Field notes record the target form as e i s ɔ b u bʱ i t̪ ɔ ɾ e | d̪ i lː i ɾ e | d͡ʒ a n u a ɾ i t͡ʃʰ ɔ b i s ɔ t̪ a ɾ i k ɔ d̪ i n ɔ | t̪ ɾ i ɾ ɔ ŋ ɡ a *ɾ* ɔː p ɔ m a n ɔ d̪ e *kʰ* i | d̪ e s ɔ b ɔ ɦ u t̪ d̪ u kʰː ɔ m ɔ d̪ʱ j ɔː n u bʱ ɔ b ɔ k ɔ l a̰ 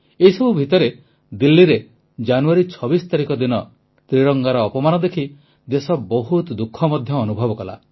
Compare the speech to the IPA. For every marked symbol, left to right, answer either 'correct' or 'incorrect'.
correct, correct

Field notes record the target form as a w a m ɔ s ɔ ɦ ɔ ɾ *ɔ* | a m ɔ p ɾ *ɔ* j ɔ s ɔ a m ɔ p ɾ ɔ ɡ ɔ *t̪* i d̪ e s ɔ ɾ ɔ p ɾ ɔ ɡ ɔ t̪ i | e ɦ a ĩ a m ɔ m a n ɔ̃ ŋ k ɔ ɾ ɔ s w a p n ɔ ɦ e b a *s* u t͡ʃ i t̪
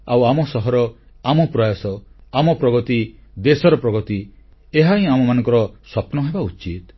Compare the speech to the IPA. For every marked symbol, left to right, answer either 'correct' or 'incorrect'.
correct, correct, correct, incorrect

